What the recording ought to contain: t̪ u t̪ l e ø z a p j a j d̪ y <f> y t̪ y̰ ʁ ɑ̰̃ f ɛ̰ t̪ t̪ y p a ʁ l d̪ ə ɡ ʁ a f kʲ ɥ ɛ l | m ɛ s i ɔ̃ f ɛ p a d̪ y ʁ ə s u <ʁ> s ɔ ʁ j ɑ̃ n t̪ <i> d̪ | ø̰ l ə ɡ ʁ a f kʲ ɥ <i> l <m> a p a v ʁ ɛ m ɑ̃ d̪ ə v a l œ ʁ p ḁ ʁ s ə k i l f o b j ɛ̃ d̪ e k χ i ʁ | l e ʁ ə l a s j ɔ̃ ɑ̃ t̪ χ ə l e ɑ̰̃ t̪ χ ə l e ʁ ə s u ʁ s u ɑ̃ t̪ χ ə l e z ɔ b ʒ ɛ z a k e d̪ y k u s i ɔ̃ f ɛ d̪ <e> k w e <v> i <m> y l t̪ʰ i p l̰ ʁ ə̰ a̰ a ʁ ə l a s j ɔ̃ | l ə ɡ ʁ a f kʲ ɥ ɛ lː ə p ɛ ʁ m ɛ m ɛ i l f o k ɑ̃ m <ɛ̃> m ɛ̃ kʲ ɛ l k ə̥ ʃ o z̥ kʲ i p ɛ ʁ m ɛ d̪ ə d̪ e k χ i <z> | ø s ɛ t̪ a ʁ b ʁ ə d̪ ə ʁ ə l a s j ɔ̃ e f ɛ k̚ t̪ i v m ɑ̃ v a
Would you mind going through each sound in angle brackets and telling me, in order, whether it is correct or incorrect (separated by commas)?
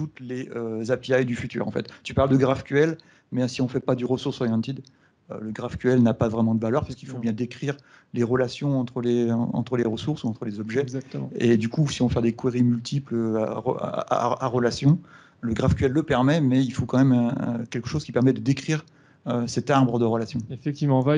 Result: correct, correct, correct, incorrect, incorrect, correct, incorrect, correct, incorrect, incorrect